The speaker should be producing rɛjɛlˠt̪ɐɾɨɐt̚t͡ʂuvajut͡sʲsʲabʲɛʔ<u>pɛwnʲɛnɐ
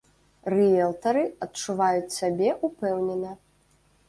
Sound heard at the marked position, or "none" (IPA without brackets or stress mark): u